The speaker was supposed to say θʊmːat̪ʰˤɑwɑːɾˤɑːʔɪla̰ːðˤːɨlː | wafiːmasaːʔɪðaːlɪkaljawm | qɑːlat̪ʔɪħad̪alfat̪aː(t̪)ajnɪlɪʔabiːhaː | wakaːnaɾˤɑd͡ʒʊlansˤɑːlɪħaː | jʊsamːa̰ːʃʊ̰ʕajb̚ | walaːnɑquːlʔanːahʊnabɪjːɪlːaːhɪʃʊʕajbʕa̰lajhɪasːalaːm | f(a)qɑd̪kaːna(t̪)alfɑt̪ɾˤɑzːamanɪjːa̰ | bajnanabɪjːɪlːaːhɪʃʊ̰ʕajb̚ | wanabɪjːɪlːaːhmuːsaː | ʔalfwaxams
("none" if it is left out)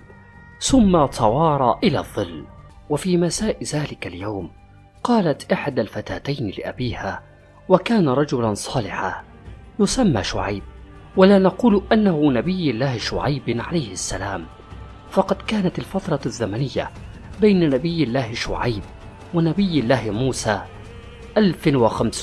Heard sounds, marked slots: t̪, ɑ, t̪

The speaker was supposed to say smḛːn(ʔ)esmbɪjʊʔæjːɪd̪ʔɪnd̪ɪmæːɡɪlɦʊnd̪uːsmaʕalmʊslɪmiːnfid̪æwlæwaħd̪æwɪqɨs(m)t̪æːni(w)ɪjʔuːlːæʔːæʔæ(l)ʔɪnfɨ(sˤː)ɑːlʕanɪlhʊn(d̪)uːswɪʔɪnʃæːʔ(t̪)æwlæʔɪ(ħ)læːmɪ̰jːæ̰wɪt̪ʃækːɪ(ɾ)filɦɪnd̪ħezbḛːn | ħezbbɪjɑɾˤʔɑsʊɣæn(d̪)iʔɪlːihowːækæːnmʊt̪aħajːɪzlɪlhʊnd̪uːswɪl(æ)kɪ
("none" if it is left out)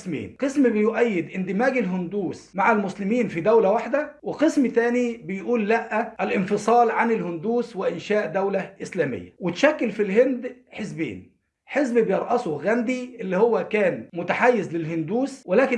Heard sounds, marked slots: q, m, b, l, sˤ, d̪, d̪, s, l, d̪, æː

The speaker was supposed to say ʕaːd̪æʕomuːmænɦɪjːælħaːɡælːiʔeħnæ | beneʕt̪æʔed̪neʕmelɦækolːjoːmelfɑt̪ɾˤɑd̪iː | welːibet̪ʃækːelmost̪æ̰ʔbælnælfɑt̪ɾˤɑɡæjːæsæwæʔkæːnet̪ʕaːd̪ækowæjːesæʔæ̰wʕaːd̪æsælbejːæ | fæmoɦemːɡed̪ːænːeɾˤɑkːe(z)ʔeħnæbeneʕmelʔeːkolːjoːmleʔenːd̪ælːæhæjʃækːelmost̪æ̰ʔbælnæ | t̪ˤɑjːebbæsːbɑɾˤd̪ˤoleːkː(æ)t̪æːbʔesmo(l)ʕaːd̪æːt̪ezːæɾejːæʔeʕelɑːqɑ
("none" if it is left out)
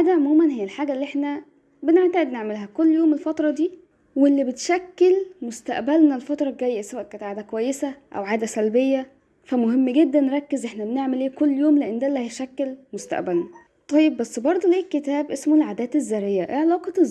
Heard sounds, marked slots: z, e, l

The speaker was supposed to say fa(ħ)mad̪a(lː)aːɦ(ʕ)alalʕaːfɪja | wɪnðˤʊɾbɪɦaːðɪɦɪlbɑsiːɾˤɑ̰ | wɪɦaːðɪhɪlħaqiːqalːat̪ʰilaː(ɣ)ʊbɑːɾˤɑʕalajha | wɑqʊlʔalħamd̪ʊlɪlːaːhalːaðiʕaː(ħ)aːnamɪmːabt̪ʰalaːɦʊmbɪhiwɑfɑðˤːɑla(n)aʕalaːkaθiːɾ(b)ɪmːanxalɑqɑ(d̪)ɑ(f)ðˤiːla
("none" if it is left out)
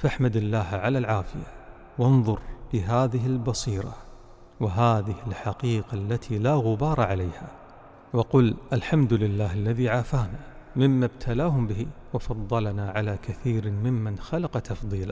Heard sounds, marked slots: ħ, lː, ʕ, ɣ, f, n, m, t̪, f

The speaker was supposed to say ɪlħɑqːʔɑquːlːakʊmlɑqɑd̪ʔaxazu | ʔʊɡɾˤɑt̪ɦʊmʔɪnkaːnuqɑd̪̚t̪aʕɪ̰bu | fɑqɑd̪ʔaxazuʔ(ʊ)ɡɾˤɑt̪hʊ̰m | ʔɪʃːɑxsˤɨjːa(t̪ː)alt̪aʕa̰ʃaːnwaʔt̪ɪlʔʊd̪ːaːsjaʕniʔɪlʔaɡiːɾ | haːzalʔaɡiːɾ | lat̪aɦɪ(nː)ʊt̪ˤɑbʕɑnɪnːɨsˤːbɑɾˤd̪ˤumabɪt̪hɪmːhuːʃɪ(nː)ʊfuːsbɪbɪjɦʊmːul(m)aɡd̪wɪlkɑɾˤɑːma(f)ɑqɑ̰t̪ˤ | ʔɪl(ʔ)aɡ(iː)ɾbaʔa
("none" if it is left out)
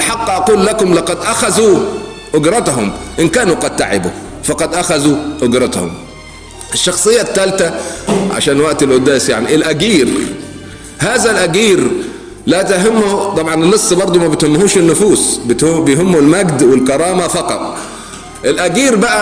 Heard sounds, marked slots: ʊ, t̪ː, mː, nː, m, f, ʔ, iː

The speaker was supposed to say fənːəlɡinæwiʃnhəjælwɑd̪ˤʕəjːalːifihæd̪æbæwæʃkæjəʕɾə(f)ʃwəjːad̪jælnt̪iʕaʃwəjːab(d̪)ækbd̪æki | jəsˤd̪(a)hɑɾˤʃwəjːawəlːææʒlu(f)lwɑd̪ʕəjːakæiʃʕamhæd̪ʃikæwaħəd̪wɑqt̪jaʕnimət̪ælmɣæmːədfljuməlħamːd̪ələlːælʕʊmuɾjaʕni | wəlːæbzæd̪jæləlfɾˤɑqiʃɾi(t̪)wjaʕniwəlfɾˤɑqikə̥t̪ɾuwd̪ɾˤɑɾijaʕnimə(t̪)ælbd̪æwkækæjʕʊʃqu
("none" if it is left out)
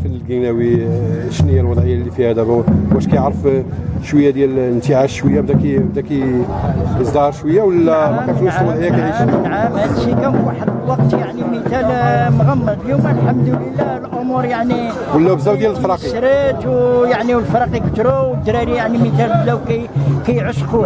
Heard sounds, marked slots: f, d̪, ɑ, s, t̪, t̪

